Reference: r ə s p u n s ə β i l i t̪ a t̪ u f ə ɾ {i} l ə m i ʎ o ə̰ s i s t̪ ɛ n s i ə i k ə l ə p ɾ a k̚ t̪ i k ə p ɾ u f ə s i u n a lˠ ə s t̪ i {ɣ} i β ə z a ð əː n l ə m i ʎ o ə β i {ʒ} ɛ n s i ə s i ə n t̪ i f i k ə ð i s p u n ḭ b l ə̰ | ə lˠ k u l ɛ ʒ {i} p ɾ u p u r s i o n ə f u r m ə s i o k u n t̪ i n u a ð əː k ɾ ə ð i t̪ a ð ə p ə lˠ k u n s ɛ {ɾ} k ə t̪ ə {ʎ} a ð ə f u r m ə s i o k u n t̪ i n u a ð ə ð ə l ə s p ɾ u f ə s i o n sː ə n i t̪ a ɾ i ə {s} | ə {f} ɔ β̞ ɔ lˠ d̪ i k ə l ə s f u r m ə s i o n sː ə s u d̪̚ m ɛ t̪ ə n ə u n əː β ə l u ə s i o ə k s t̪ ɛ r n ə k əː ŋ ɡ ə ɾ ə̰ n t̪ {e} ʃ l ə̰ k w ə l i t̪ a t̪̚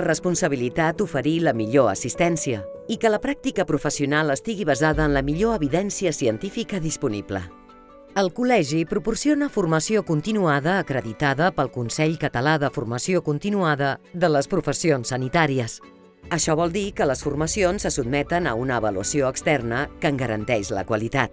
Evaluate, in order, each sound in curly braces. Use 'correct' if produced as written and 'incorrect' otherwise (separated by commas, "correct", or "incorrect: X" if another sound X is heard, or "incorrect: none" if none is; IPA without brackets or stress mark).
correct, correct, incorrect: ð, correct, incorrect: ʎ, incorrect: l, correct, incorrect: ʃ, incorrect: ɛ